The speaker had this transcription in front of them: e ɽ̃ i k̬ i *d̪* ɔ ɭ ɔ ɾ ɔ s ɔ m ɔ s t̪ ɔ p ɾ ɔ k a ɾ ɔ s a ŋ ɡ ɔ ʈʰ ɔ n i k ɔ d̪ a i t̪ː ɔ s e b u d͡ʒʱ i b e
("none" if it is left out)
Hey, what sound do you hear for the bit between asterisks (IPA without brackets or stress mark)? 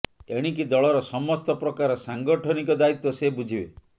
d̪